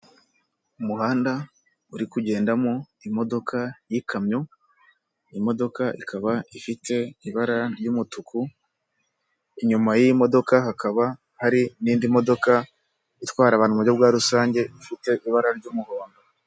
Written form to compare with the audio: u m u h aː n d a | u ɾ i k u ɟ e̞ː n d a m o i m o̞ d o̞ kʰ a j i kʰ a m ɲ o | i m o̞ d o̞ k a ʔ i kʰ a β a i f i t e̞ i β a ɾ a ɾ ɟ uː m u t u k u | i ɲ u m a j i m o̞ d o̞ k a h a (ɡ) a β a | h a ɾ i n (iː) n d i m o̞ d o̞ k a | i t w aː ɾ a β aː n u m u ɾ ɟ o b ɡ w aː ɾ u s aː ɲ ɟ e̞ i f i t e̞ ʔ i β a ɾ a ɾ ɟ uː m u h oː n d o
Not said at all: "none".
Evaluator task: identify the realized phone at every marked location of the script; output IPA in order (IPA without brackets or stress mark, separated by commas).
k, iː